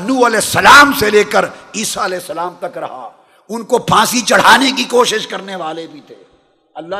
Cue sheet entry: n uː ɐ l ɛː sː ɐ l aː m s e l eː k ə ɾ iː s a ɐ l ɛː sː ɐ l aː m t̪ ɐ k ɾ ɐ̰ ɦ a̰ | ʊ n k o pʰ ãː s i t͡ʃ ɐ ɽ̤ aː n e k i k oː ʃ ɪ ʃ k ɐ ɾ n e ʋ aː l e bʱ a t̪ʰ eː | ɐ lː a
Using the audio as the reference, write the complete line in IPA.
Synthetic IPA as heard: n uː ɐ l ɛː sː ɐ l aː m s e l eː k ə ɾ iː s a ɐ l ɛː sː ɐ l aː m t̪ ɐ k ɾ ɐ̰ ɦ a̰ | ʊ n k o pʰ ãː s i t͡ʃ ɐ ɽ̤ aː n e k i k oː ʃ ɪ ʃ k ɐ ɾ n e ʋ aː l e bʱ i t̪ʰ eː | ɐ lː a